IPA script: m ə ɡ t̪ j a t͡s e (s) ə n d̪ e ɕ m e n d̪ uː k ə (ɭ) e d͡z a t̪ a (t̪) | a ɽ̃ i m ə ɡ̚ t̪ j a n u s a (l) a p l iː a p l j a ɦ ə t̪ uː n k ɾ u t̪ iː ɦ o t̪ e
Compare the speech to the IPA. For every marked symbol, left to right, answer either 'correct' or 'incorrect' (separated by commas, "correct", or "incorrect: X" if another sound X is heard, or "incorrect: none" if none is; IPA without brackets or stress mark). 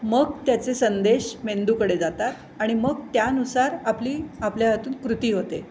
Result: correct, incorrect: ɽ, correct, incorrect: ɾ